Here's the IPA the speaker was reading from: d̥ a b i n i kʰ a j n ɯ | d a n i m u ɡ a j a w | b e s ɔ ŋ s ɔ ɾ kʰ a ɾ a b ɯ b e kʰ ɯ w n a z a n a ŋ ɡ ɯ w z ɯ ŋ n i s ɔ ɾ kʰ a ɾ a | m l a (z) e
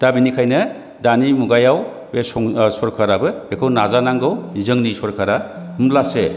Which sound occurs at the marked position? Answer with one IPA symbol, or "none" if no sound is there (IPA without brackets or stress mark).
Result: s